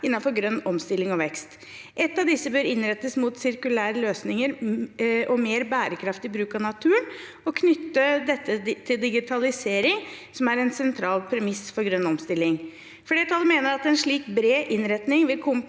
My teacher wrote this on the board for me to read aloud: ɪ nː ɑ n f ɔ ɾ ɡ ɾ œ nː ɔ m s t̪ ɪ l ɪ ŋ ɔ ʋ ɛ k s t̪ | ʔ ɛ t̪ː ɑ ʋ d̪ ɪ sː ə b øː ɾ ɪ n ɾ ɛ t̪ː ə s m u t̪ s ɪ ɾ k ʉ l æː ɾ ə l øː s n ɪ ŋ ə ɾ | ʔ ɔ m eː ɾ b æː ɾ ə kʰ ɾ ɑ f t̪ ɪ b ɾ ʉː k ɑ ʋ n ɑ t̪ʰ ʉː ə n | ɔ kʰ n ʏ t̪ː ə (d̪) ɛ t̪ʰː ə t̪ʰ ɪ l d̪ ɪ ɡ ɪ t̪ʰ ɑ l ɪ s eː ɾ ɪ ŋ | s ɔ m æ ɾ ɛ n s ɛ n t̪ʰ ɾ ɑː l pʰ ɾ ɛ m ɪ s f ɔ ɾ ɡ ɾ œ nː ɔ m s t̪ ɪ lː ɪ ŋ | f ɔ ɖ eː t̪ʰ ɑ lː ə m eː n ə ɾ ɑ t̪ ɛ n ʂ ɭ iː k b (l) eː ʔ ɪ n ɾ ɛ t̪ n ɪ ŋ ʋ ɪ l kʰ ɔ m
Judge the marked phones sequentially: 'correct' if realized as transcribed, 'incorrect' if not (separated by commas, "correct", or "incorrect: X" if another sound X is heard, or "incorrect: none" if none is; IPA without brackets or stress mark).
correct, incorrect: ɾ